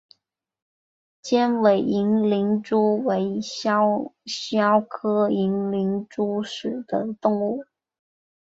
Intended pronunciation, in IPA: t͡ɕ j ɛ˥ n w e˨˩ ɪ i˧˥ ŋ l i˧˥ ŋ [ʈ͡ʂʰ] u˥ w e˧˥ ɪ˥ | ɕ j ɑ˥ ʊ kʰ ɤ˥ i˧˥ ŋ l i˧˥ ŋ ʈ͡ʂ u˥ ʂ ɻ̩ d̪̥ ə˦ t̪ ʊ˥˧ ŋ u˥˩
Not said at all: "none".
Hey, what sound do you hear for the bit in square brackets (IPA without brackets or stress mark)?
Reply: ʈ͡ʂ